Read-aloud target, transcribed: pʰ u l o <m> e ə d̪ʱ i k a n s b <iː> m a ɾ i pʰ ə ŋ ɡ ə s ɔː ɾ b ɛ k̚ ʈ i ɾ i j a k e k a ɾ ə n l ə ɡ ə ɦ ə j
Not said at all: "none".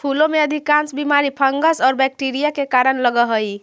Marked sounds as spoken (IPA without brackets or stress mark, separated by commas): m, i